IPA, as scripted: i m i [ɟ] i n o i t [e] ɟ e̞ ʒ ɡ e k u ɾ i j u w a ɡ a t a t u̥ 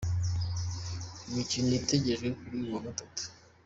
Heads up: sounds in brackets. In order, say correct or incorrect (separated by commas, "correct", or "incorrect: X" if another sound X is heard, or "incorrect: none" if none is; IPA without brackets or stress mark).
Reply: incorrect: c, correct